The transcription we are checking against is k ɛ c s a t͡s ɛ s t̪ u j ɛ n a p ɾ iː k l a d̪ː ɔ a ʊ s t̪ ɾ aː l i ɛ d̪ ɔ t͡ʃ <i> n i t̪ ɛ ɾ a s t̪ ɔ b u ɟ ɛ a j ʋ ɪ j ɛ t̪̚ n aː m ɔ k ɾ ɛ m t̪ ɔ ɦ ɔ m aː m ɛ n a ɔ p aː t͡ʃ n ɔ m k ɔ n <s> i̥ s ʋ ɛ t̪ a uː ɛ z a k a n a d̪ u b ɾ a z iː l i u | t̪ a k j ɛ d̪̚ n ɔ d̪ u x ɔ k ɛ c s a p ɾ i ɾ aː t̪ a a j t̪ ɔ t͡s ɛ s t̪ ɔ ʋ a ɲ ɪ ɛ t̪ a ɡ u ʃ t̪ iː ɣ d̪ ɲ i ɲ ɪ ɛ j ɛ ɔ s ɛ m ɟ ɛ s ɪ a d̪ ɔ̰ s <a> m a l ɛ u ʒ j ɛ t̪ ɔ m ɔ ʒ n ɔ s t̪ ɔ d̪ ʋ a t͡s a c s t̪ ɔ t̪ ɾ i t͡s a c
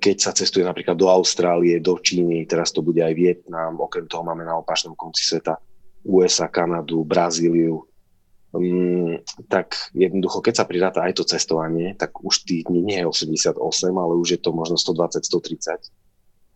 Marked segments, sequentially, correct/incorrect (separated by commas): incorrect, incorrect, incorrect